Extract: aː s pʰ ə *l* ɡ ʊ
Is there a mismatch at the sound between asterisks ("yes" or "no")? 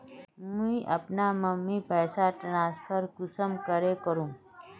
yes